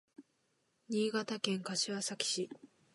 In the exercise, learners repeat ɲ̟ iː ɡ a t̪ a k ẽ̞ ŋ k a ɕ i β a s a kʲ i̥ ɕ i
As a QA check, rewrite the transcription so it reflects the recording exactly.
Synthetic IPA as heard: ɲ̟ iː ɡ a t̪ a k ẽ̞ ŋ k a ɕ i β a s a kʲ i̥ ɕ i